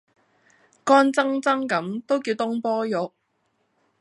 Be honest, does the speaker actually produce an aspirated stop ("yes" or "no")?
no